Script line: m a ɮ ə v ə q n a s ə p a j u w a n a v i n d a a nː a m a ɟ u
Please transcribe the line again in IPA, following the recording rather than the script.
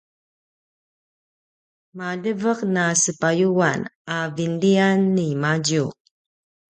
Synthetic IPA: m a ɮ ə v ə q n a s ə p a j u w a n a v i n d i a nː i m a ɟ u